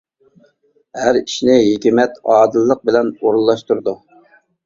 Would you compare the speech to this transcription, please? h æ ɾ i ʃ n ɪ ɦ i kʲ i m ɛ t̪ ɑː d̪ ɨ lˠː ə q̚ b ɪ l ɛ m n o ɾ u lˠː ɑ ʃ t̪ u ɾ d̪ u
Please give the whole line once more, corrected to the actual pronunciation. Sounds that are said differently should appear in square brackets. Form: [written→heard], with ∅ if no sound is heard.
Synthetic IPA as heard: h æ ɾ i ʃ n ɪ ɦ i kʲ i m ɛ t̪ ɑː d̪ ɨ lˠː ə q̚ b ɪ l ɛ [m→∅] n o ɾ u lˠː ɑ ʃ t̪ u ɾ d̪ u